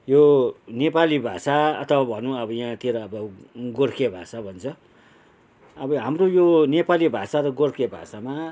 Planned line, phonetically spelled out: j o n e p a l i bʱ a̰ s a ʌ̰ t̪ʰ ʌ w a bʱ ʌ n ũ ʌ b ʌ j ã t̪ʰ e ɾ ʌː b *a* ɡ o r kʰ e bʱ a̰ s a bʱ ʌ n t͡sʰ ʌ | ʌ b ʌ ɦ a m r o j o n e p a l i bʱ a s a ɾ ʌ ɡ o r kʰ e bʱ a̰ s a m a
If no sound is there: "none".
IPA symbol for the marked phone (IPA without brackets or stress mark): ʌ